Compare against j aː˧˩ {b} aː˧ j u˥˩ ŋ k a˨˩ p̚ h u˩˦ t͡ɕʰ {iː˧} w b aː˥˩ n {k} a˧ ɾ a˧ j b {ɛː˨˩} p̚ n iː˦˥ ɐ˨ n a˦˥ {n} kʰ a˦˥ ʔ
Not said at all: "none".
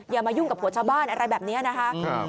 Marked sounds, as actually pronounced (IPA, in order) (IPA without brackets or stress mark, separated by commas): m, aː˧, ʔ, ɛː˨˩, none